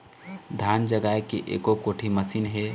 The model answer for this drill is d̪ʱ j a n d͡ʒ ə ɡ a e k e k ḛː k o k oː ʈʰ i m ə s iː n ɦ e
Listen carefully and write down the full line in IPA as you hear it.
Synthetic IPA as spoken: d̪ʱ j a n d͡ʒ ə ɡ a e k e ʔ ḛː k o k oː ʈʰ i m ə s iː n ɦ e